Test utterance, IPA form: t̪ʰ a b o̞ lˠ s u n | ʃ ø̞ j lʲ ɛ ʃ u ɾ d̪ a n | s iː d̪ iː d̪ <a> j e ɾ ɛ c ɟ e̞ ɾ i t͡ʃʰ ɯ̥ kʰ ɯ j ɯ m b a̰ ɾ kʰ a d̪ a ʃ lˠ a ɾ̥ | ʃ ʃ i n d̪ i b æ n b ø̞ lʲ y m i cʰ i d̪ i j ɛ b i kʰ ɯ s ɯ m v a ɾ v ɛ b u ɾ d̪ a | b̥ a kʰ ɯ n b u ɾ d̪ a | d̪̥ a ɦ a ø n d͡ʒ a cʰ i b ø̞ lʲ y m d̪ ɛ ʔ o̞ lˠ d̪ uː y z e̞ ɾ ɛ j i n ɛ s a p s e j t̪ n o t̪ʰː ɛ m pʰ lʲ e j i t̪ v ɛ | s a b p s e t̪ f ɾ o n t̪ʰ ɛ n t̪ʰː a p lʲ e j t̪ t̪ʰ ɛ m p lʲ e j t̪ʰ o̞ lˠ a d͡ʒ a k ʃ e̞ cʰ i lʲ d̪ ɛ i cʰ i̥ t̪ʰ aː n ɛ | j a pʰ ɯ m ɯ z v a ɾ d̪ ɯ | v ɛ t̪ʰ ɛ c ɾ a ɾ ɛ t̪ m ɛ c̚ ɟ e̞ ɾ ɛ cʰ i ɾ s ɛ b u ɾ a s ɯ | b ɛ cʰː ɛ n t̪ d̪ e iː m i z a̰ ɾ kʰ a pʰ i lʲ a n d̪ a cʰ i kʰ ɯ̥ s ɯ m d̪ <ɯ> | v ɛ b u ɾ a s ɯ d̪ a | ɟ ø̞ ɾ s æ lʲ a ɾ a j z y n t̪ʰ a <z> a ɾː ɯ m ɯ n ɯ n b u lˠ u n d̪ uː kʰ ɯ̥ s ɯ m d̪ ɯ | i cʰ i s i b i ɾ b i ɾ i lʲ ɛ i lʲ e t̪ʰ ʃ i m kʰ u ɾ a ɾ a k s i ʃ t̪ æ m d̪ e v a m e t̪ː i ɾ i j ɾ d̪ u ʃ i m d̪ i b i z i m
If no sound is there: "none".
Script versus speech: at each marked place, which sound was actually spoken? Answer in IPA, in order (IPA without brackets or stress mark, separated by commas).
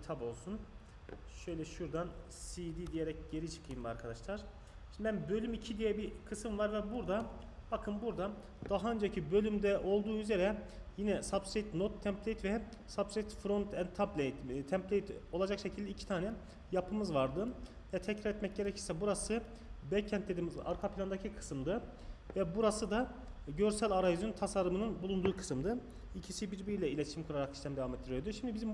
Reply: i, ɯ, s